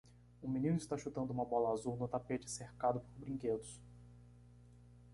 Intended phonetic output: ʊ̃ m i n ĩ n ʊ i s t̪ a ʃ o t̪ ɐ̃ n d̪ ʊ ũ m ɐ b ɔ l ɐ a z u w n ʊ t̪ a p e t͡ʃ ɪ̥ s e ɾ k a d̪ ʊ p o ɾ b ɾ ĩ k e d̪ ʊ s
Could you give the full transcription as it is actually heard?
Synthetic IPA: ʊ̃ m i n ĩ n ʊ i s t̪ a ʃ u t̪ ɐ̃ n d̪ ʊ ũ m ɐ b ɔ l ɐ a z u w n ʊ t̪ a p e t͡ʃ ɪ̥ s e ɾ k a d̪ ʊ p o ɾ b ɾ ĩ k e d̪ ʊ s